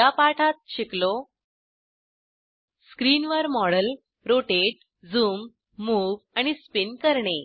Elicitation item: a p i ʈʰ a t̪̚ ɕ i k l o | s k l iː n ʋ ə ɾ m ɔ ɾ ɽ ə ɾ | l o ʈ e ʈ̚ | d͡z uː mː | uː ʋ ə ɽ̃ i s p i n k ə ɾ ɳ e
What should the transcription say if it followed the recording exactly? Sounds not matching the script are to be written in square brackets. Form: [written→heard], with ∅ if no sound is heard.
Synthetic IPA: a p [i→a] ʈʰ a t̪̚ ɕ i k l o | s k [l→ɾ] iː n ʋ ə ɾ m ɔ [ɾ→∅] ɽ ə [ɾ→l] | [l→ɾ] o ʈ e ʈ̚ | d͡z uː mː | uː ʋ [ə→a] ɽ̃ i s p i n k ə ɾ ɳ e

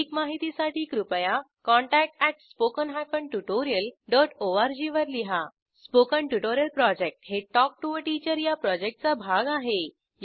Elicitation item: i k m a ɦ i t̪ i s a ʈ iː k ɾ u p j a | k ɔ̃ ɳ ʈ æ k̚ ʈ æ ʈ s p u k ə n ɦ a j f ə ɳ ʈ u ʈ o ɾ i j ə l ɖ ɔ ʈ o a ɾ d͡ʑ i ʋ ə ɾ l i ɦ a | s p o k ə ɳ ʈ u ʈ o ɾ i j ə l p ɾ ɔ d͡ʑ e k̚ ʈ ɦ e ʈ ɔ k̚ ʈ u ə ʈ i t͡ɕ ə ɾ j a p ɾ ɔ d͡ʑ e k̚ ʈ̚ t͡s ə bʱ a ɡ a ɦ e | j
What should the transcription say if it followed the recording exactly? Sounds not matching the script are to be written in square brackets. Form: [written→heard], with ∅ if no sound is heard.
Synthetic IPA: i k m a ɦ i t̪ i s a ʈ iː k ɾ u p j a | k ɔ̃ ɳ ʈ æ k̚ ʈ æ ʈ s p [u→o] k ə n ɦ a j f ə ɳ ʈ u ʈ o ɾ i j ə l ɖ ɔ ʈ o a ɾ d͡ʑ i ʋ ə ɾ l i ɦ a | s p o k ə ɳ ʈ u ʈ o ɾ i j ə l p ɾ ɔ d͡ʑ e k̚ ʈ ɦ e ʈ ɔ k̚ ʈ u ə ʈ i t͡ɕ ə ɾ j a p ɾ ɔ d͡ʑ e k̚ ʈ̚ t͡s [ə→a] bʱ a ɡ a ɦ e | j

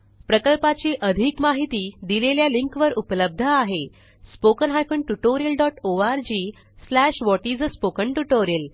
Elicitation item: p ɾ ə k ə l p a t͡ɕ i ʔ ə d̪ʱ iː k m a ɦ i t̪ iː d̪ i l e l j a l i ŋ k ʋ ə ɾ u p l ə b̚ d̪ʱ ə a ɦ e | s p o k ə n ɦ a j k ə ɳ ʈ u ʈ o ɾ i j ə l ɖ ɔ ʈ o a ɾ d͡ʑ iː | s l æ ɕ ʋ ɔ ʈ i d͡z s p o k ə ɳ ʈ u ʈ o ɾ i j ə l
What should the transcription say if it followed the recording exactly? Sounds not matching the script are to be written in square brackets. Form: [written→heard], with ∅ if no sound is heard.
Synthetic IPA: p ɾ ə k ə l p a t͡ɕ i ʔ ə d̪ʱ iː k m a ɦ i t̪ iː d̪ i l e l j a l i ŋ k ʋ ə ɾ u p l ə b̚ d̪ʱ ə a ɦ e | s p o k ə n ɦ a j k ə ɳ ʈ u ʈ o ɾ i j ə l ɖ ɔ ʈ o a ɾ d͡ʑ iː | s l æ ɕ ʋ ɔ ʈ i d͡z s p o k ə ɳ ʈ u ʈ o ɾ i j ə l

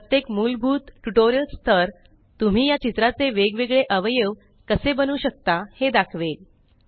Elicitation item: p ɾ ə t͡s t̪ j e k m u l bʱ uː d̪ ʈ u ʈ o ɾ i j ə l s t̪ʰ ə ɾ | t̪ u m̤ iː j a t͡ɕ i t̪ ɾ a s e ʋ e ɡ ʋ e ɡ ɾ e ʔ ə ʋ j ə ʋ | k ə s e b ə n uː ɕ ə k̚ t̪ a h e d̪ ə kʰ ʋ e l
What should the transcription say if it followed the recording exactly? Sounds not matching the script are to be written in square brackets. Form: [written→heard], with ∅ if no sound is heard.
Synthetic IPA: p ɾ ə [t͡s→∅] t̪ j e k m u l bʱ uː [d̪→t̪] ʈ u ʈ o ɾ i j ə l s t̪ʰ ə ɾ | t̪ u m̤ iː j a t͡ɕ i t̪ ɾ a [s→t͡s] e ʋ e ɡ ʋ e ɡ [ɾ→ɭ] e ʔ ə ʋ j ə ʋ | k ə s e b ə n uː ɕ ə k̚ t̪ a h e d̪ [ə→a] kʰ ʋ e l

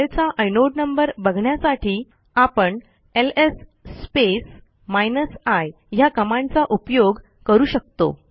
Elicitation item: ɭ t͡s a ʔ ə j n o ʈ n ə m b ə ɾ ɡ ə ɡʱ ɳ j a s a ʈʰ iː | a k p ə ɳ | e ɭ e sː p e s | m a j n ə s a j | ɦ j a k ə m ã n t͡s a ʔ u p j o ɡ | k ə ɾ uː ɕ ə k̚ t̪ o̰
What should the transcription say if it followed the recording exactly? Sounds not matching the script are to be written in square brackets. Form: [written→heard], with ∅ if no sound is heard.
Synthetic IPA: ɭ t͡s a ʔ ə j n o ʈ n ə m b ə ɾ [ɡ→b] ə ɡʱ ɳ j a s a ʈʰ iː | a [k→∅] p ə ɳ | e [ɭ→l] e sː p e s | m a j n ə s a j | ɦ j a k ə m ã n t͡s a ʔ u p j o ɡ | k ə ɾ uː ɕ ə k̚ t̪ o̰

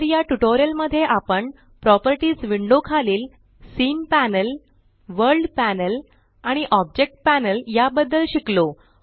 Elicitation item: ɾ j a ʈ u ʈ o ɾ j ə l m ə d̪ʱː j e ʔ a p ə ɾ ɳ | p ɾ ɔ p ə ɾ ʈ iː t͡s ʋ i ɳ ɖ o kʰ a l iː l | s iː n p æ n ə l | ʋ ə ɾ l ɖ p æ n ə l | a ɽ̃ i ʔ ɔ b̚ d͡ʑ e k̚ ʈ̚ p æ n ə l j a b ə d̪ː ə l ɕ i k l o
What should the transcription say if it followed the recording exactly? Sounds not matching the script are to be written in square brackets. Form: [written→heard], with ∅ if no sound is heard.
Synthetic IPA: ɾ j a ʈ u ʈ o ɾ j ə l m ə d̪ʱː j e ʔ a p ə [ɾ→∅] ɳ | p ɾ ɔ p ə ɾ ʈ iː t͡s ʋ i ɳ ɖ o kʰ a l iː l | s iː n p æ n ə l | ʋ ə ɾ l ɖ p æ n ə l | a ɽ̃ i ʔ ɔ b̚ d͡ʑ e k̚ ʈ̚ p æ n ə l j a b ə d̪ː ə l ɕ i k l o

